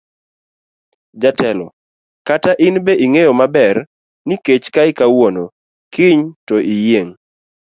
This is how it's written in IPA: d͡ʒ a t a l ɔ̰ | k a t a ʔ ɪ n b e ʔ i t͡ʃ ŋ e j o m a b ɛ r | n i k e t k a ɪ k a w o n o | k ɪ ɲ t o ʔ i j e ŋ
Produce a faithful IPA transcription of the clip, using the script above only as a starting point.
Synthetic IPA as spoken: d͡ʒ a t ɛ l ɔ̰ | k a t a ʔ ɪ n b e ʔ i ŋ e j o m a b ɛ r | n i k e t͡ʃ k a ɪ k a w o n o | k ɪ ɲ t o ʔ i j e ŋ